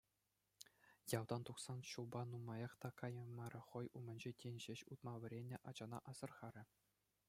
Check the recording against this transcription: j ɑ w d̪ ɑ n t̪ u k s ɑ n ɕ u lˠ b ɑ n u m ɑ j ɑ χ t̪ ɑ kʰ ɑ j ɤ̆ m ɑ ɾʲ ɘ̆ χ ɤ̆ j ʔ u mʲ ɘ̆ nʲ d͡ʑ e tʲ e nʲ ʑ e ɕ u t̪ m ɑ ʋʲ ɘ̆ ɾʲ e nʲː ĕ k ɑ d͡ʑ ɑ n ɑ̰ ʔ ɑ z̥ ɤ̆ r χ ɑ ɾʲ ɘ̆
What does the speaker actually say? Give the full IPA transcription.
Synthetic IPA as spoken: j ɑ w d̪ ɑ n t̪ u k s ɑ n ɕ u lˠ b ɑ n u m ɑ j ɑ χ t̪ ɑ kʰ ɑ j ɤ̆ m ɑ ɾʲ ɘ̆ χ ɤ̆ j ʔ u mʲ ɘ̆ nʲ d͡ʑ e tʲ e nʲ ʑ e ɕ u t̪ m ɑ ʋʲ ɘ̆ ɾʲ e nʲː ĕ ʔ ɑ d͡ʑ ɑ n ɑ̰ ʔ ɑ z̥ ɤ̆ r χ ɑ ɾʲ ɘ̆